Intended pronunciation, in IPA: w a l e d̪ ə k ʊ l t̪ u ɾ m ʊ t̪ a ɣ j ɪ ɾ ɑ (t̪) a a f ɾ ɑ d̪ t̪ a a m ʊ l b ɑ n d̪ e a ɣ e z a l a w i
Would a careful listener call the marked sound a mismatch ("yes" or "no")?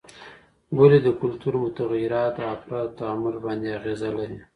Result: no